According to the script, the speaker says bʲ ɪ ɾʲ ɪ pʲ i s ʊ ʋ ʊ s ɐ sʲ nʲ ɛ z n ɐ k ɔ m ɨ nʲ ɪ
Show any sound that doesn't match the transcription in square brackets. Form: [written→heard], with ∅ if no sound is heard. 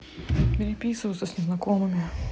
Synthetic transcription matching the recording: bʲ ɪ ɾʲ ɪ pʲ i s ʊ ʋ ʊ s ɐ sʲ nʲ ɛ z n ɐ k ɔ m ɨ [nʲ→mʲ] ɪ